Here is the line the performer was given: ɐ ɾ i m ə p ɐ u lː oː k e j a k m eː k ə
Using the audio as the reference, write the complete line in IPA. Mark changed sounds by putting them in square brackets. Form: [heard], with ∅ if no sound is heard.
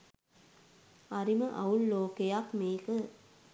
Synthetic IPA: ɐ ɾ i m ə [ʔ] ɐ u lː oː k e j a k m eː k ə

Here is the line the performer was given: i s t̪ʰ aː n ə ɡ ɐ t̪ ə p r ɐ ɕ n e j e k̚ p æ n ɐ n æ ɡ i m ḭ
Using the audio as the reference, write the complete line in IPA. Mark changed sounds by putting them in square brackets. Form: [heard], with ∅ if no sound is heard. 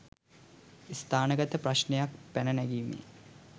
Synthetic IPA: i s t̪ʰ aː n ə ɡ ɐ t̪ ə p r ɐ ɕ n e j [a] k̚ p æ n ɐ n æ ɡ i m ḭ

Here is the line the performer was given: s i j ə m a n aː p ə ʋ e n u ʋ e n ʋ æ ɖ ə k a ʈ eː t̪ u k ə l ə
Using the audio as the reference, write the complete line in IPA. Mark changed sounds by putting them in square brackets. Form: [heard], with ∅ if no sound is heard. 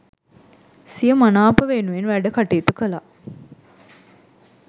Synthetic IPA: s i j ə m a n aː p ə ʋ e n u ʋ e n ʋ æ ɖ ə k a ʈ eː t̪ u k ə l [a]

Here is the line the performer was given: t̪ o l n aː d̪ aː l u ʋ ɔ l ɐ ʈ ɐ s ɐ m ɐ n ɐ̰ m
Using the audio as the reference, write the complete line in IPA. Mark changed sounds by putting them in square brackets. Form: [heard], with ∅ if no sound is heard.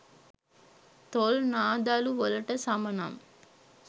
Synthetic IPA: t̪ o l n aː d̪ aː l u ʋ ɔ l ɐ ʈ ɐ s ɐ m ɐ n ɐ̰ m

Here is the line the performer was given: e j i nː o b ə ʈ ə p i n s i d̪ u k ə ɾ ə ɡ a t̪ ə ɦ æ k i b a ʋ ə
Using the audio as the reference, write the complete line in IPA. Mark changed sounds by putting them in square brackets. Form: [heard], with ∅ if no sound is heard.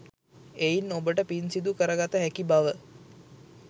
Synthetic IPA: e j i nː o b ə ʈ ə p i n s i d̪ u k ə ɾ ə ɡ a t̪ ə ɦ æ k i b a ʋ ə

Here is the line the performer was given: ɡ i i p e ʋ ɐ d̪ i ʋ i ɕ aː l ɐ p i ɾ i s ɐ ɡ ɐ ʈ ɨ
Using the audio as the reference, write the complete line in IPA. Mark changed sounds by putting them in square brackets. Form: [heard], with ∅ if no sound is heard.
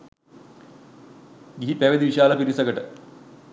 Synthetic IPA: ɡ i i p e ʋ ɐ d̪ i ʋ i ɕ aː l ɐ p i ɾ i s ɐ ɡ ɐ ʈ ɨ

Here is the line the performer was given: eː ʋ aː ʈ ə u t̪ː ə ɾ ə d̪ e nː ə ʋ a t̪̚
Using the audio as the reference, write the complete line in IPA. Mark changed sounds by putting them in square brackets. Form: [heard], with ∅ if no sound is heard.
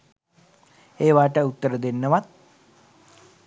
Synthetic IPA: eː ʋ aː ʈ ə u t̪ː ə ɾ ə d̪ e nː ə ʋ a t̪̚

